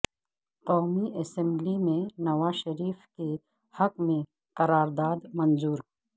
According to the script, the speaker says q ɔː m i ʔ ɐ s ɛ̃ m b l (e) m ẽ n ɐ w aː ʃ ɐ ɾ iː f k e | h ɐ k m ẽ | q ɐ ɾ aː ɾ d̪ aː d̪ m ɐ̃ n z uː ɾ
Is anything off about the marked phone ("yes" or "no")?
yes